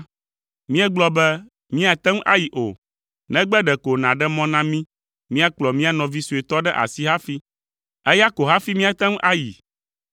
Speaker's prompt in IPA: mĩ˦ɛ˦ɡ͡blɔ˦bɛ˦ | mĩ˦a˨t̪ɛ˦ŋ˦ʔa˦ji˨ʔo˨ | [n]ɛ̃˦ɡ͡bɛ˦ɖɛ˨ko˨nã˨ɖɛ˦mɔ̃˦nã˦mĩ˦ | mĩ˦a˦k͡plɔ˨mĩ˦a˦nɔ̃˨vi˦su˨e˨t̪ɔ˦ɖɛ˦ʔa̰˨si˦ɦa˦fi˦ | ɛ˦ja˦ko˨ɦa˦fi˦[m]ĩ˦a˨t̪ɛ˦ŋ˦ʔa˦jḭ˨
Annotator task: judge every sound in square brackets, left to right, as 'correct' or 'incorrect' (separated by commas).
correct, correct